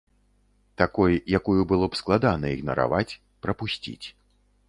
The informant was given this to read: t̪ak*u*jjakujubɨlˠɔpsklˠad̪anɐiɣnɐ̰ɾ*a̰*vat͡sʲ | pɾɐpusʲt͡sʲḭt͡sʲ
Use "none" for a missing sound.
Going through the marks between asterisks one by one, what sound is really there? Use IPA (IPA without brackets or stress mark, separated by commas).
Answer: ɔ, a̰